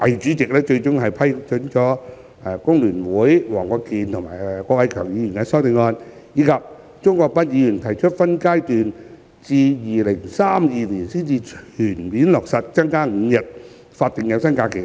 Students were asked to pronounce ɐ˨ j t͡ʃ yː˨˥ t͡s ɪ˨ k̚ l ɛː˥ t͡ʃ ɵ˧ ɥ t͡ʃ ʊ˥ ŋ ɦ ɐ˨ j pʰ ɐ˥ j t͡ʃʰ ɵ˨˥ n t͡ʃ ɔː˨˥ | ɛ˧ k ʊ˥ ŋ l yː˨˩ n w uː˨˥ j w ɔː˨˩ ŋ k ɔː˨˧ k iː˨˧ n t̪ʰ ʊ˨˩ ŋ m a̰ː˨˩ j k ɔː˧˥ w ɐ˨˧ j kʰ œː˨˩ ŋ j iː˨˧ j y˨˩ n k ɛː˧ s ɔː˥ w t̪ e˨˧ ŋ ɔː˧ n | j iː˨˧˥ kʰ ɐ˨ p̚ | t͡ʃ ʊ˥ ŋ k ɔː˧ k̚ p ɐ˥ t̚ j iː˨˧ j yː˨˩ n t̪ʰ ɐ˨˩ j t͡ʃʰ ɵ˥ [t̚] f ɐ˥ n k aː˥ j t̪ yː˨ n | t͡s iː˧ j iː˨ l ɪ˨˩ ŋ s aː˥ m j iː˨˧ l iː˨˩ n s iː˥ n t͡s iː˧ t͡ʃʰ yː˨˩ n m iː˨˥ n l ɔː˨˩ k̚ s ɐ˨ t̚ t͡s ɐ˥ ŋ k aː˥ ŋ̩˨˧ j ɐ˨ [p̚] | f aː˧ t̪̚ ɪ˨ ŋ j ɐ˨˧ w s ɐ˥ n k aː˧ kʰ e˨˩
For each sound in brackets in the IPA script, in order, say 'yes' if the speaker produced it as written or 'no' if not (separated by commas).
yes, no